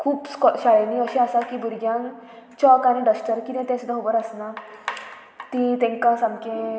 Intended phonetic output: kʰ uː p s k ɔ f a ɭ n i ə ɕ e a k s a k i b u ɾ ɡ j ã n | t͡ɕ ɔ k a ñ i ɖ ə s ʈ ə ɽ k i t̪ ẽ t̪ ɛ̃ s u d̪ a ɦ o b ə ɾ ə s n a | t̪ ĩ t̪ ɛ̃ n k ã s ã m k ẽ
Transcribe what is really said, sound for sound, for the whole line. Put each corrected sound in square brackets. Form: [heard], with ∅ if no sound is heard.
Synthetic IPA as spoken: kʰ uː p s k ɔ [ɕ] a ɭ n i ə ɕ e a [∅] s a k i b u ɾ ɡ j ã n | t͡ɕ ɔ k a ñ i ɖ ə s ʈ ə [ɾ] k i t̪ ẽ t̪ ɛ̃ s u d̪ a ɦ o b ə ɾ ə s n a | t̪ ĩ t̪ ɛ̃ [ŋ] k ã s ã m k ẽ